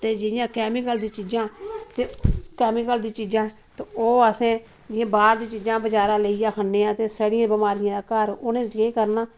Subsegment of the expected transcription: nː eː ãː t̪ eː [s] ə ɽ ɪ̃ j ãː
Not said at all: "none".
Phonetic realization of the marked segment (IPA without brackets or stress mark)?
s